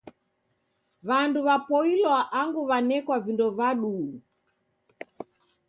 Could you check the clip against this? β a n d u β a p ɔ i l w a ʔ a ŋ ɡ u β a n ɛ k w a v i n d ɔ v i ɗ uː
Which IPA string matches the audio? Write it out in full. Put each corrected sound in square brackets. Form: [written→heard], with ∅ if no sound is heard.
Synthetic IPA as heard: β a n d u β a p ɔ i l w a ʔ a ŋ ɡ u β a n ɛ k w a v i n d ɔ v [i→a] ɗ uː